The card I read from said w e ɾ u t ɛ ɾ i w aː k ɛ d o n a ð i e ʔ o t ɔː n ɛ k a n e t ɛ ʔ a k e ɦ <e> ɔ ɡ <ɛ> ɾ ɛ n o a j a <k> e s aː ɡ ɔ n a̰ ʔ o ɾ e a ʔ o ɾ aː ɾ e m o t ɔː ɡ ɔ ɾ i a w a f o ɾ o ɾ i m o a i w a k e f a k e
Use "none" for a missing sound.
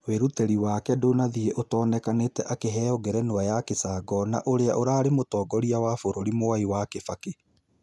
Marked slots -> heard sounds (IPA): ɛ, ɛ, k

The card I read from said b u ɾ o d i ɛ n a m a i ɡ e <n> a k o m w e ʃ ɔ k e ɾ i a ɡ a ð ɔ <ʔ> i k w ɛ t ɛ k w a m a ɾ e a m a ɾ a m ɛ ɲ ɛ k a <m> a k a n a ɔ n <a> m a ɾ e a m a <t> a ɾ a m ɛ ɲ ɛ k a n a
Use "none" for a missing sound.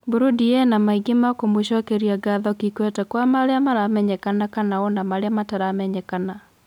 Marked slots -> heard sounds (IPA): m, k, n, a, t

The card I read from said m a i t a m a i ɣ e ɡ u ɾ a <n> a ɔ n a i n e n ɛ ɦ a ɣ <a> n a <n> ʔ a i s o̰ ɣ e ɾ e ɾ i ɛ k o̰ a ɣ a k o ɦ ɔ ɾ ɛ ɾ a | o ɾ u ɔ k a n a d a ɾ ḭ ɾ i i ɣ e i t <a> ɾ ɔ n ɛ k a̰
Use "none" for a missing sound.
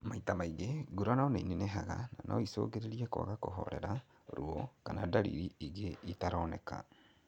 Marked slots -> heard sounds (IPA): n, a, n, a

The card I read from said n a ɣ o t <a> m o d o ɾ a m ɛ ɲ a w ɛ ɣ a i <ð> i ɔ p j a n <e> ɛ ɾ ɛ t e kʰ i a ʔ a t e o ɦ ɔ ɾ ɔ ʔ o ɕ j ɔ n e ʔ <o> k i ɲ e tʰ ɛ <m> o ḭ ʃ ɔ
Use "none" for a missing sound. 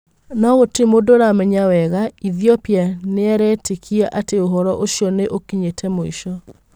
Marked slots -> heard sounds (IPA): e, ð, e, o, m

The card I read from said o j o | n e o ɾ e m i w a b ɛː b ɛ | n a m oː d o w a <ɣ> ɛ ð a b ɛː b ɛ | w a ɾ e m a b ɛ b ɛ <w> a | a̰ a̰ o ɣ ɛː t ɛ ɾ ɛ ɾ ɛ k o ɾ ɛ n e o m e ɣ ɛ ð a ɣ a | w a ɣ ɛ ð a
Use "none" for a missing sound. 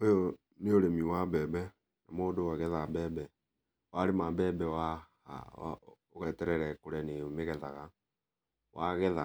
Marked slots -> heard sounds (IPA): ɣ, w

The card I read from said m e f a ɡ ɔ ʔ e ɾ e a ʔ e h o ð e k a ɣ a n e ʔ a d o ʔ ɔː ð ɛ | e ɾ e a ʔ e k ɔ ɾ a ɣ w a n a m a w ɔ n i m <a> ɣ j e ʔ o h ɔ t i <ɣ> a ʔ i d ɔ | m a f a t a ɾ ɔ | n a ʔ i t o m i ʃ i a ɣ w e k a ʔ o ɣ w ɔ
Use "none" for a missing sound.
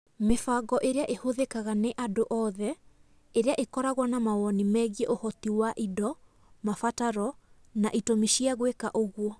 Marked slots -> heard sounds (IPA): ɛ, w

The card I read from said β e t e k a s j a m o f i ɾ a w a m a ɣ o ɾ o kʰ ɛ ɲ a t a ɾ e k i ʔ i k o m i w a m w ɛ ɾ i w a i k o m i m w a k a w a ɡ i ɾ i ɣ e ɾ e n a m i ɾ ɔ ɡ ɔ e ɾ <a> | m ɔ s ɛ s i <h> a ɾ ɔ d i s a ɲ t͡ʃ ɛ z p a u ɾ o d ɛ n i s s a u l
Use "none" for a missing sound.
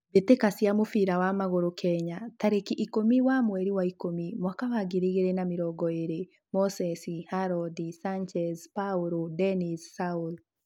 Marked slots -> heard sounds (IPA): e, h

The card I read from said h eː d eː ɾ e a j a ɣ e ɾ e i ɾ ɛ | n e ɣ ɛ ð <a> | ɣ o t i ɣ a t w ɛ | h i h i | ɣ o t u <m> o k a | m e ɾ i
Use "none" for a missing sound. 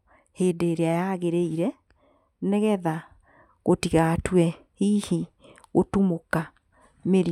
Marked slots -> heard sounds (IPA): a, m

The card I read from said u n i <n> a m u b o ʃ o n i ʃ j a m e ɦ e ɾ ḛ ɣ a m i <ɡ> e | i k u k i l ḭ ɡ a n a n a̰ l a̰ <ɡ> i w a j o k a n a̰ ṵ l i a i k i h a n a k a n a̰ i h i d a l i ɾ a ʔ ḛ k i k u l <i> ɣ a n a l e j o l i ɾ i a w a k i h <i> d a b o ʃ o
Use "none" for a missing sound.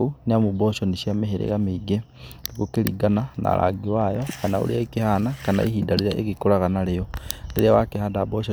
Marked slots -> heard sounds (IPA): none, ɡ, ɡ, a, a

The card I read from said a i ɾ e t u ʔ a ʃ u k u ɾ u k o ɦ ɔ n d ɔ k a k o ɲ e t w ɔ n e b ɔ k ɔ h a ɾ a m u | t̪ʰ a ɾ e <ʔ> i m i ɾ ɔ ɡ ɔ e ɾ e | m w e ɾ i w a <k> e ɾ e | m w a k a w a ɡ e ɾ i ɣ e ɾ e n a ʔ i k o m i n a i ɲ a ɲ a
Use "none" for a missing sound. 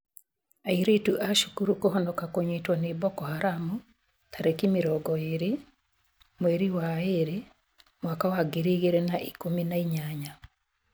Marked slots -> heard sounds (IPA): k, none

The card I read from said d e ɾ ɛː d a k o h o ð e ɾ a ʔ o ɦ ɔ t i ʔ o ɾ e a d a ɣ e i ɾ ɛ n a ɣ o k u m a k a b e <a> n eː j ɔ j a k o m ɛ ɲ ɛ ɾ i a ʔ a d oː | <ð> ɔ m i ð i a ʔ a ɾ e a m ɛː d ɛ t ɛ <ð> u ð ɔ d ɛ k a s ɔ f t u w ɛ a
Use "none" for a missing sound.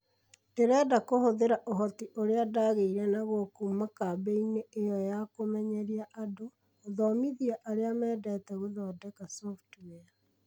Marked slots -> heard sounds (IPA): i, ð, ɣ

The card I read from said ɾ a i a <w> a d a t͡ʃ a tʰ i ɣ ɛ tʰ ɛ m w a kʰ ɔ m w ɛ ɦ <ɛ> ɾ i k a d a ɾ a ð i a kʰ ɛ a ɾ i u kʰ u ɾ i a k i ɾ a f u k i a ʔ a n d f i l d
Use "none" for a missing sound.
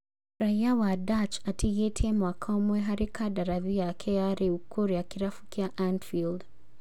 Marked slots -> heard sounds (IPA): w, a

